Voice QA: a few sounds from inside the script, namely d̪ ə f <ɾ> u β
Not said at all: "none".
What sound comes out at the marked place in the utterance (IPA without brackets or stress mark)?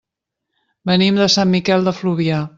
l